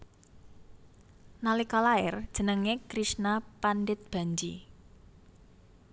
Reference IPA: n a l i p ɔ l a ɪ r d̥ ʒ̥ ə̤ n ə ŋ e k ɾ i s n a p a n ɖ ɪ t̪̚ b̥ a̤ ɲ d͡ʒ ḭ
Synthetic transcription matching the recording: n a l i k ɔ l a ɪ r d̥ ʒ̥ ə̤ n ə ŋ e k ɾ i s n a p a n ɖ ɪ t̪̚ b̥ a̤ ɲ d͡ʒ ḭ